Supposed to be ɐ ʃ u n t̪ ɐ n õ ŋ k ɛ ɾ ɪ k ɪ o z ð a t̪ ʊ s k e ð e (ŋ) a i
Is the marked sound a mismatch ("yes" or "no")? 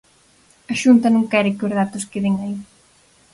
no